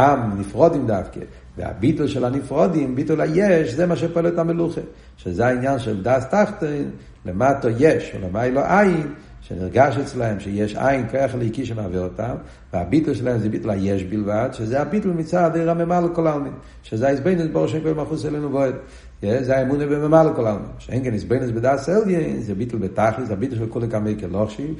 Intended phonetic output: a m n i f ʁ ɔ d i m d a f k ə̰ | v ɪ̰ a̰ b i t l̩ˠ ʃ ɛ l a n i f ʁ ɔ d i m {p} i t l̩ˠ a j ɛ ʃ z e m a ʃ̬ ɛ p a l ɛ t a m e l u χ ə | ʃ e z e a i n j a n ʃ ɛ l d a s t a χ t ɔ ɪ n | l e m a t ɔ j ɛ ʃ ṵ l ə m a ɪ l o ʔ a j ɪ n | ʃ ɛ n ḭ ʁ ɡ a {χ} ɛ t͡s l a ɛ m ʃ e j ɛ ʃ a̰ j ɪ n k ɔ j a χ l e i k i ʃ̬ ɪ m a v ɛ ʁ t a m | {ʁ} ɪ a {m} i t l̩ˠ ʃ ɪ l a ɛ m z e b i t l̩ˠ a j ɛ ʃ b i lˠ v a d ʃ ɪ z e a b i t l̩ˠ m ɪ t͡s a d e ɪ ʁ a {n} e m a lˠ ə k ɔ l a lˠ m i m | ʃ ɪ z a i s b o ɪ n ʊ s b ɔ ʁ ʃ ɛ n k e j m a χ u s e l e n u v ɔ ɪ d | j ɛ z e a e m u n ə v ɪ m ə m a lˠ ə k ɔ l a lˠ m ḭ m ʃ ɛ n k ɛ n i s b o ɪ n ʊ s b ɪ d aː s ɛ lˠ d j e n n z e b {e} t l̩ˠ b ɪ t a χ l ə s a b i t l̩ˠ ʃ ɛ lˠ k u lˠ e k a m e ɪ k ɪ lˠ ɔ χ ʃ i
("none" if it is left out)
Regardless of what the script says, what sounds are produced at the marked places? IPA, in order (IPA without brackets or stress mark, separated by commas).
b, ʃ, v, b, m, i